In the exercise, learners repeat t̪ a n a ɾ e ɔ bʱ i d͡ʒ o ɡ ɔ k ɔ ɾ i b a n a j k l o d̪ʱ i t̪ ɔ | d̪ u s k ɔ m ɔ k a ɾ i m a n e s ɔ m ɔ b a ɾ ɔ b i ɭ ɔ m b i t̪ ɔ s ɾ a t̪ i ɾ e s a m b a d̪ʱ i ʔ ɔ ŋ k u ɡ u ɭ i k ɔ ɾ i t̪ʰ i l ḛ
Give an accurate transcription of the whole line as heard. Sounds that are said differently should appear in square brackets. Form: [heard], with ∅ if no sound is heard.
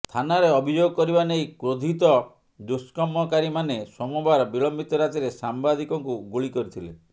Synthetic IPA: [t̪ʰ] a n a ɾ e ɔ bʱ i d͡ʒ o ɡ ɔ k ɔ ɾ i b a n [e] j k [ɾ] o d̪ʱ i t̪ ɔ | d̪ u s k ɔ m ɔ k a ɾ i m a n e s ɔ m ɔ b a ɾ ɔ b i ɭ ɔ m b i t̪ ɔ [∅] ɾ a t̪ i ɾ e s a m b a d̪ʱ i [k] ɔ ŋ k u ɡ u ɭ i k ɔ ɾ i t̪ʰ i l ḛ